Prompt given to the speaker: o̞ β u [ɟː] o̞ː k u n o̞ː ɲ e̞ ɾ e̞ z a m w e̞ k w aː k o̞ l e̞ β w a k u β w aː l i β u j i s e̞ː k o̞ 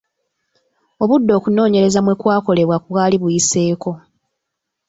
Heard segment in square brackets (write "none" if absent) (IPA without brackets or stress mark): dː